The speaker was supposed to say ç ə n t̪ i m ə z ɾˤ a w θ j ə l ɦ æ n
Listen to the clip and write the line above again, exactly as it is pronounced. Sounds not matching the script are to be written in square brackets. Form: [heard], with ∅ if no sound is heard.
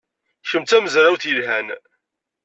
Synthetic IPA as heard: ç ə [m] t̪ [æ] m ə z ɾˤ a w θ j ə l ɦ æ n